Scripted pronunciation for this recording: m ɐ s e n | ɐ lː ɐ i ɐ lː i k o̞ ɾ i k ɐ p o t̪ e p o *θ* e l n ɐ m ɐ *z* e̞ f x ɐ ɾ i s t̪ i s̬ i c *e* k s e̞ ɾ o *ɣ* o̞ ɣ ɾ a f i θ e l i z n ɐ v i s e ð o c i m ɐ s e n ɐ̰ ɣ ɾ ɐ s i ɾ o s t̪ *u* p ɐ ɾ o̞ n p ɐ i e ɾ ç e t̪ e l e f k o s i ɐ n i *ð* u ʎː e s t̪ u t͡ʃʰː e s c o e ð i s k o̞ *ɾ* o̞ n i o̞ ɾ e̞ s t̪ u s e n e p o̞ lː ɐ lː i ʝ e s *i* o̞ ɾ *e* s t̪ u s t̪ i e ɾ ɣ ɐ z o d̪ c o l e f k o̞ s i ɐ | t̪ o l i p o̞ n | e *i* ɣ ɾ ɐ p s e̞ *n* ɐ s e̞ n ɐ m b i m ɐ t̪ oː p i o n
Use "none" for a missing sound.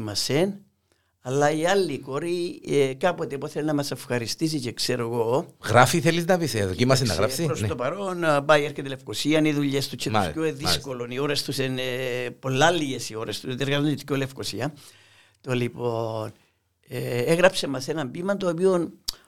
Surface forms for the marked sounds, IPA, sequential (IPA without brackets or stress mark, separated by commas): θ, s, e, ɣ, o, ð, l, i, e, e, m